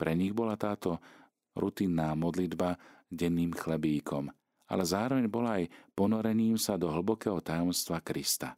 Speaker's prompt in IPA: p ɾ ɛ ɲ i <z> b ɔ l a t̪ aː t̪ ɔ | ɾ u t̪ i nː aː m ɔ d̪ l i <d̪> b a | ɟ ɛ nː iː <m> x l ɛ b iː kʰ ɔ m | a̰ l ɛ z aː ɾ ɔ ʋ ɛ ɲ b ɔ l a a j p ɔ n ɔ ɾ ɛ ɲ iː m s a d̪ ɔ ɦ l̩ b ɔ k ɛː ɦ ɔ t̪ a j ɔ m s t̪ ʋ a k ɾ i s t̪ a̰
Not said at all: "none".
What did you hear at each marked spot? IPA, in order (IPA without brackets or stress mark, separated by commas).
ɣ, d̪, m